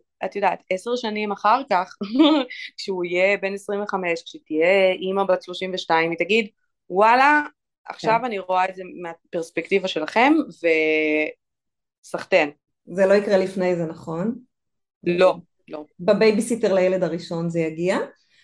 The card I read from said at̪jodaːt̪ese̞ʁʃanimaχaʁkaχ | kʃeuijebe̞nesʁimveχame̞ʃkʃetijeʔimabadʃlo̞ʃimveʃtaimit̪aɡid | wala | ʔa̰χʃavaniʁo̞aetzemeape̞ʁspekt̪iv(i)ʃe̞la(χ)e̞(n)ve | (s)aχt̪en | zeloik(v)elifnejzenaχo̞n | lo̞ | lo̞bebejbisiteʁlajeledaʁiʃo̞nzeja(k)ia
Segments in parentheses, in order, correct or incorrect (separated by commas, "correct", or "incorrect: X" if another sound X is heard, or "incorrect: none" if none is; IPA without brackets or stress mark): incorrect: a, correct, incorrect: m, correct, incorrect: ʁ, incorrect: ɡ